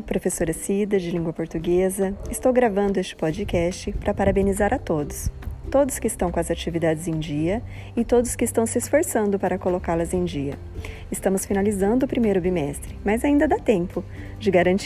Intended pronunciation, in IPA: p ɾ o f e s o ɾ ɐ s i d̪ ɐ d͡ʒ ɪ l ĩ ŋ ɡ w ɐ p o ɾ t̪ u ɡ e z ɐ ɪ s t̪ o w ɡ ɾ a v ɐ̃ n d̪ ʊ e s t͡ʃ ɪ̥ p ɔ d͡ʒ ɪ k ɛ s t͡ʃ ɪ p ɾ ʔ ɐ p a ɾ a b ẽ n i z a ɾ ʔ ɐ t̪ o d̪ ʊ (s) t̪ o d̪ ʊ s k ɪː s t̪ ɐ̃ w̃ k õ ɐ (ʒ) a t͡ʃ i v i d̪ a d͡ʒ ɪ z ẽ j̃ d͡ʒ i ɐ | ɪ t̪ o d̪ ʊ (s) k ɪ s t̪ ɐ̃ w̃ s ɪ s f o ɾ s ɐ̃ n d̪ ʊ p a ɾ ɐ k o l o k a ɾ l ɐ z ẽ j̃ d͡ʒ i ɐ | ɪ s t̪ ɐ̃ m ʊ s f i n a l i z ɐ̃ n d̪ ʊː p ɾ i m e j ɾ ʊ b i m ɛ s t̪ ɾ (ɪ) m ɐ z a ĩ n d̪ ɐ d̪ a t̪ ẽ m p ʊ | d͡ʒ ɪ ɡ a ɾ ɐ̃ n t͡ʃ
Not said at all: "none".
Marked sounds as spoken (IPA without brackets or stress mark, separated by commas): s, z, s, ɪ